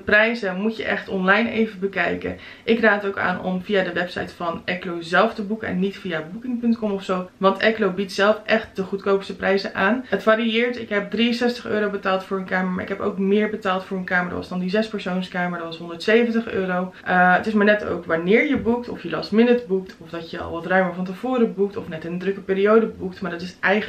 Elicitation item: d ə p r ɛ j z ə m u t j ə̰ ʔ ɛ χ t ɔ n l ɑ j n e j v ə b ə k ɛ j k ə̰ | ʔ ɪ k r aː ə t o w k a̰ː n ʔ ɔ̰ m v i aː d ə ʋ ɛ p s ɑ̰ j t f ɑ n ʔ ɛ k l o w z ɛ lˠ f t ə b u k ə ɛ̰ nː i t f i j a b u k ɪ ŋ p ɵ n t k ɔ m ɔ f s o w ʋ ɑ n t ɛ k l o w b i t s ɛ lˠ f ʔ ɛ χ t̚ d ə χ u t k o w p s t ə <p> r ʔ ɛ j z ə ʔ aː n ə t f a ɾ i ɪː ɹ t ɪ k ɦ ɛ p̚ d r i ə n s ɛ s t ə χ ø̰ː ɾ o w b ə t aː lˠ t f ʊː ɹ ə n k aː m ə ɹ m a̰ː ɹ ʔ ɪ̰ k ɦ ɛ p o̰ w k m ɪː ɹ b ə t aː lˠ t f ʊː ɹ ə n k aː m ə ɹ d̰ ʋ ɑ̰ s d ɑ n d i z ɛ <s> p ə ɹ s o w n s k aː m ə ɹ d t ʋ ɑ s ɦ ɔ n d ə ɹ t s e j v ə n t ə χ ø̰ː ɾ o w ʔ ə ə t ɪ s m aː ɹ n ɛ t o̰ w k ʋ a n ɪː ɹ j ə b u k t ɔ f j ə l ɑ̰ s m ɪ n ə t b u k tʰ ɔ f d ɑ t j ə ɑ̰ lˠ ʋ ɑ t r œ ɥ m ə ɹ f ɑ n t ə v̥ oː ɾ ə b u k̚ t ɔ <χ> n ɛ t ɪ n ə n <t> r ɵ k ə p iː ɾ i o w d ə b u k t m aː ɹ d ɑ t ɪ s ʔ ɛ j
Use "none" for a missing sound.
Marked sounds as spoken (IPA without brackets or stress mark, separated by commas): p, s, f, d